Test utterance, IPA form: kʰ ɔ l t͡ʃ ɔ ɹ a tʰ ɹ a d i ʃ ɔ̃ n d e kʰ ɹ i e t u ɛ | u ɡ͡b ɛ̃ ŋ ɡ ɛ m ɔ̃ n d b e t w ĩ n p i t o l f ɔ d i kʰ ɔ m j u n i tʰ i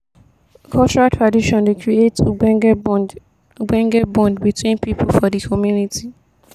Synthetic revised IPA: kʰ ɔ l t͡ʃ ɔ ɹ a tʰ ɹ a d i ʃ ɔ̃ n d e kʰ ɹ i e t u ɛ | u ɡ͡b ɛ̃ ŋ ɡ ɛ b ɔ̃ n d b i t w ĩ n p i p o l f ɔ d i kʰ ɔ m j u n i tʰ i